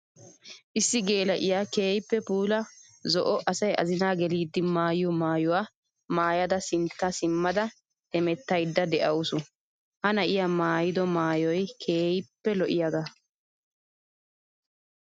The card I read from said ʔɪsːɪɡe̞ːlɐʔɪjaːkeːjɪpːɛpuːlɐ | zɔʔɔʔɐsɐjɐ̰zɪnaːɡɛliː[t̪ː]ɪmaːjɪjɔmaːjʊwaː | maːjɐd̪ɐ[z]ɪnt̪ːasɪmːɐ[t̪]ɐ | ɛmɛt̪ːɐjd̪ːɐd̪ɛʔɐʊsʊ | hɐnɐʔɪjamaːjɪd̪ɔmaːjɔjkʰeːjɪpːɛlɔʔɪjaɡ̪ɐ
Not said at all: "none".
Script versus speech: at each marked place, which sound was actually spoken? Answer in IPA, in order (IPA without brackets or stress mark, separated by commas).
d̪ː, s, d̪